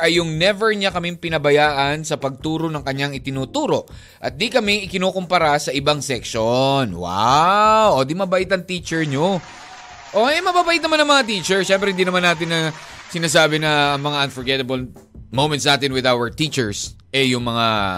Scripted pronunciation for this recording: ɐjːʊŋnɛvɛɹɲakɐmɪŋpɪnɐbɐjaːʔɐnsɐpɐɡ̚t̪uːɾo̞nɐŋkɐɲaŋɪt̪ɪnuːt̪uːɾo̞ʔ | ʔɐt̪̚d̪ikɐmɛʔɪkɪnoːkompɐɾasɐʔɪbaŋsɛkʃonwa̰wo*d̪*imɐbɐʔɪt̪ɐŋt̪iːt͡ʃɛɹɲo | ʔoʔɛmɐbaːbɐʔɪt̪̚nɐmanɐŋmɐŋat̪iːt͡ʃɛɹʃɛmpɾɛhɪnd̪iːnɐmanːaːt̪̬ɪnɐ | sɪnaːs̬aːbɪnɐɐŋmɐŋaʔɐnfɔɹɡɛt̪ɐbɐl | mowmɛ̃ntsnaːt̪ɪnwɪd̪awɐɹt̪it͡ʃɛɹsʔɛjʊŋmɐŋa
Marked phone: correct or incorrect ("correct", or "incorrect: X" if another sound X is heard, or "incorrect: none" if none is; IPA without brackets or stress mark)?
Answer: correct